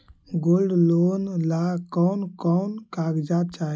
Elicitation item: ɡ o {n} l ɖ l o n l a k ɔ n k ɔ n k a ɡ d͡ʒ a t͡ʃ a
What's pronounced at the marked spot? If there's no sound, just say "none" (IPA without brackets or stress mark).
none